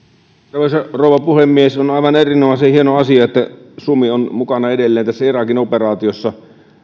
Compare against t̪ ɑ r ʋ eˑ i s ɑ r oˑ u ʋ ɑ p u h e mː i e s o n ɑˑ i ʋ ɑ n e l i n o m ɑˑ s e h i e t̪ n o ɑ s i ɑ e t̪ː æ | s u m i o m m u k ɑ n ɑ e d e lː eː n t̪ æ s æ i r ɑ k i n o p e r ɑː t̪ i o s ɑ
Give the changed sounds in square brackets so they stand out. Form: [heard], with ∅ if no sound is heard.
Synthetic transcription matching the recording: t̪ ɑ r ʋ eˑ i s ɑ r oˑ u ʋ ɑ p u h e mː i e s o n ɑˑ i ʋ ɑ n e [r] i n o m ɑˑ s e h i e [∅] n o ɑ s i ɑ e t̪ː æ | s u m i o [n] m u k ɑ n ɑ e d e lː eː n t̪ æ [sː] æ i r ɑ k i n o p e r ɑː t̪ i o [sː] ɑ